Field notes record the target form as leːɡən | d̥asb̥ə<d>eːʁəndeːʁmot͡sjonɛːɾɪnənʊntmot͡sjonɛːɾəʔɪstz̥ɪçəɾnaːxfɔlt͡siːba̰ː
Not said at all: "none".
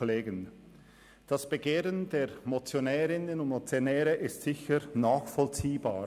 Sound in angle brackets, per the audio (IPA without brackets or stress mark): ɡ